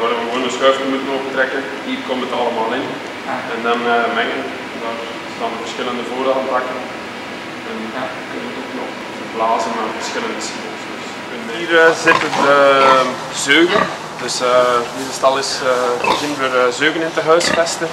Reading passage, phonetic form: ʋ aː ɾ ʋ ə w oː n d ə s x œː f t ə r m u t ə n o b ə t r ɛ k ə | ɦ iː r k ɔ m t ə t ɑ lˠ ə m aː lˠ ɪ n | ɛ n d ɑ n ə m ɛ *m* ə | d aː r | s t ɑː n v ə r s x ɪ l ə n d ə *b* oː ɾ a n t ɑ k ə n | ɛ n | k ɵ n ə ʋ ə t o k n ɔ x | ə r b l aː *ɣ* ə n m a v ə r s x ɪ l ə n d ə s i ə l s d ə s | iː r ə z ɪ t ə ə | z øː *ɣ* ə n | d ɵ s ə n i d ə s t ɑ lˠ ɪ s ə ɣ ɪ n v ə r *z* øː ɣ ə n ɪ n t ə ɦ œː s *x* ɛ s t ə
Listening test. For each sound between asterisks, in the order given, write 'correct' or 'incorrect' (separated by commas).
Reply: incorrect, incorrect, incorrect, correct, correct, incorrect